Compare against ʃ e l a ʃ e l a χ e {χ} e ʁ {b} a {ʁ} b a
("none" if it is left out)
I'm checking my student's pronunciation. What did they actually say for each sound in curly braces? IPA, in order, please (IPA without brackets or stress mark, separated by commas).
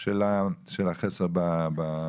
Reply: s, b, none